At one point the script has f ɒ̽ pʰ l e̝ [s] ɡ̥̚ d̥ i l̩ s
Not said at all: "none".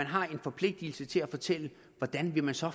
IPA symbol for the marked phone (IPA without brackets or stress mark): none